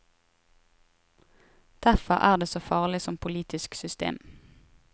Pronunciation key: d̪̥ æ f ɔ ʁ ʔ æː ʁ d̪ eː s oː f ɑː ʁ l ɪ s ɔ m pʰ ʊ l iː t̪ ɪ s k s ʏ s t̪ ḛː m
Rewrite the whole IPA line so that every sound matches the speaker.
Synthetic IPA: d̪̥ æ f ɔ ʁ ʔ æː ʁ d̪ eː s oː f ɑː ʁ l ɪ s ɔ m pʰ ʊ l iː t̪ ɪ s k s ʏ s t̪ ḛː m